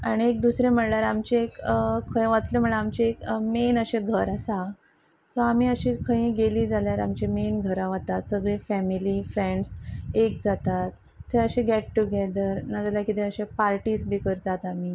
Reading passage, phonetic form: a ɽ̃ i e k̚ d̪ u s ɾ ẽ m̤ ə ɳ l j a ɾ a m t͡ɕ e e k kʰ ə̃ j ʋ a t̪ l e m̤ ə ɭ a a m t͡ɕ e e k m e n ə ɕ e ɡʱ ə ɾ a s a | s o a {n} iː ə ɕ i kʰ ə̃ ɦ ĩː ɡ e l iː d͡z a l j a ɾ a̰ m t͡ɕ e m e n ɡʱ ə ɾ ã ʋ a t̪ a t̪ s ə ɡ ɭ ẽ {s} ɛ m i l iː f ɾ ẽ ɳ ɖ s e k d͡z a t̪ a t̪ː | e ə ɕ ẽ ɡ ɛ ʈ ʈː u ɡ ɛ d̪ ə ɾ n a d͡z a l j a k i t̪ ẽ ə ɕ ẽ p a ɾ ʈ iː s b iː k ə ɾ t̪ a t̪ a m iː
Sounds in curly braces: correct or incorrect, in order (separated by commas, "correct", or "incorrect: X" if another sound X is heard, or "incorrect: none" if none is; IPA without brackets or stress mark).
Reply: incorrect: m, incorrect: f